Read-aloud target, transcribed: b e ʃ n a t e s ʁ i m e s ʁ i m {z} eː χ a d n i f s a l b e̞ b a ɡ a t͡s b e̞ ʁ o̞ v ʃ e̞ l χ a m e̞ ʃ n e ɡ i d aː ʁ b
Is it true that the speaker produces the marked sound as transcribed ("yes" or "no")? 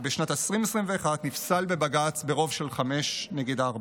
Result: no